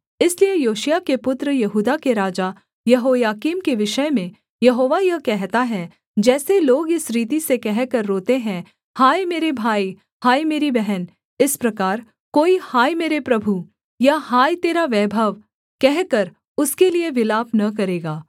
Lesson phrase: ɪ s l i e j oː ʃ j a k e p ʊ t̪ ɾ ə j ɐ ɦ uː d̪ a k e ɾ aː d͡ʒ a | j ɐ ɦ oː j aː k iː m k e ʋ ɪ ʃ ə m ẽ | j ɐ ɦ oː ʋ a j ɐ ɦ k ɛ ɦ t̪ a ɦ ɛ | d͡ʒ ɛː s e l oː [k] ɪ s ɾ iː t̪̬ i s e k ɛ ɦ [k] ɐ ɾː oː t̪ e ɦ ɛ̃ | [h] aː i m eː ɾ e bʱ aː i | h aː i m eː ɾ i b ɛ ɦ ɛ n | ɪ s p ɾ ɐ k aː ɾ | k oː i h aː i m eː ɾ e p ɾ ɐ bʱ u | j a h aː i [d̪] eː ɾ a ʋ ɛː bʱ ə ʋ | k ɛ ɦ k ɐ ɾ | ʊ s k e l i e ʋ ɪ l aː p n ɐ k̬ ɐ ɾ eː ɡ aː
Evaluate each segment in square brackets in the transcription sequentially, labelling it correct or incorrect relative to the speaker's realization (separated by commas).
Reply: incorrect, correct, correct, incorrect